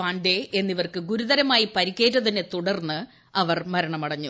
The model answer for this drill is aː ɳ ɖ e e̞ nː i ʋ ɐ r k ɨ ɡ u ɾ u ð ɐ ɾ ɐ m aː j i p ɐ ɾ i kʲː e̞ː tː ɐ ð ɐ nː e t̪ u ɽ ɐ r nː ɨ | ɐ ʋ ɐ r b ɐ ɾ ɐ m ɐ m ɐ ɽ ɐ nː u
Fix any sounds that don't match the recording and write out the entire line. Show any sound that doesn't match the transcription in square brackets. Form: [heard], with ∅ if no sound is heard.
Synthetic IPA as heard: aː ɳ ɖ e e̞ nː i ʋ ɐ r k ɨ ɡ u ɾ u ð ɐ ɾ ɐ m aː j i p ɐ ɾ i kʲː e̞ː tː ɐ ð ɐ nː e t̪ u ɽ ɐ r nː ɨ | ɐ ʋ ɐ r [m] ɐ ɾ ɐ [ɳ] ɐ m ɐ ɽ ɐ [ɲː] u